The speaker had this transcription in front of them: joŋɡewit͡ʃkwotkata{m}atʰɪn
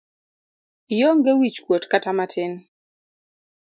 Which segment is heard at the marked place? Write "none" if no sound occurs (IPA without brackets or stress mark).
m